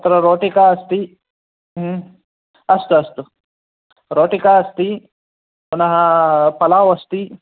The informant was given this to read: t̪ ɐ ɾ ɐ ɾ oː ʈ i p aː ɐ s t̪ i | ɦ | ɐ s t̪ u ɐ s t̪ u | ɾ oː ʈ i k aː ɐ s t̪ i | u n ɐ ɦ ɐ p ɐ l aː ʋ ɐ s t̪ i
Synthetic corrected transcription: t̪ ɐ ɾ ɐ ɾ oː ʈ i k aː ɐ s t̪ i | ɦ | ɐ s t̪ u ɐ s t̪ u | ɾ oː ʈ i k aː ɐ s t̪ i | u n ɐ ɦ ɐ p ɐ l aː ʋ ɐ s t̪ i